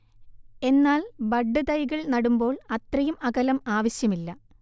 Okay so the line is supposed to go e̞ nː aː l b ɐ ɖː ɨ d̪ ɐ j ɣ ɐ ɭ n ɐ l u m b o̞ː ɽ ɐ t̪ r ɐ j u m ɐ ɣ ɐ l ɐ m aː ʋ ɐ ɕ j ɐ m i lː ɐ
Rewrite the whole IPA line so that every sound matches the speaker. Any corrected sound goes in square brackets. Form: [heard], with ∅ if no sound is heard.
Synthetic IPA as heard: e̞ nː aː l b ɐ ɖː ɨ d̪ ɐ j ɣ ɐ ɭ n ɐ [ɽ] u m b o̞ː [ɭ] ɐ t̪ r ɐ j u m ɐ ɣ ɐ l ɐ m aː ʋ ɐ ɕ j ɐ m i lː ɐ